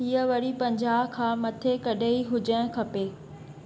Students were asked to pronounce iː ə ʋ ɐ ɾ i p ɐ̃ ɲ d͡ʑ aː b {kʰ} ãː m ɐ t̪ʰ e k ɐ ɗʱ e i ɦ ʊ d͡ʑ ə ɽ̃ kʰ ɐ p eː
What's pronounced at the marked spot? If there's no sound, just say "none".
kʰ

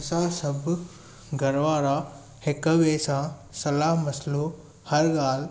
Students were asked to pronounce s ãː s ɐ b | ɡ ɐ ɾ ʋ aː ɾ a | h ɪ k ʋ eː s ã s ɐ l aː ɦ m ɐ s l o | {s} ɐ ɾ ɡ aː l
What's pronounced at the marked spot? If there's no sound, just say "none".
h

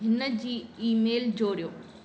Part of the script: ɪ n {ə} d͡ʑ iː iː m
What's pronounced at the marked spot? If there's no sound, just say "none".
ə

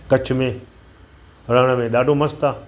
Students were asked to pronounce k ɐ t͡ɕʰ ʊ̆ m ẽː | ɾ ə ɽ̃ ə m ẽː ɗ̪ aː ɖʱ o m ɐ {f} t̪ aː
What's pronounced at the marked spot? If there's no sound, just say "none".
s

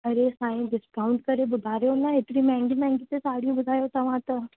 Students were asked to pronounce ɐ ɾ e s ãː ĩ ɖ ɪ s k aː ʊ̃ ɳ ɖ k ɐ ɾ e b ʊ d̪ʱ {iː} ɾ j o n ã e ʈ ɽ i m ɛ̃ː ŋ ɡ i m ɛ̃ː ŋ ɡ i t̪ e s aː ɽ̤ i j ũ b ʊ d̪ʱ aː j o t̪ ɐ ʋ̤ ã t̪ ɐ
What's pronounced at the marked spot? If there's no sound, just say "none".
aː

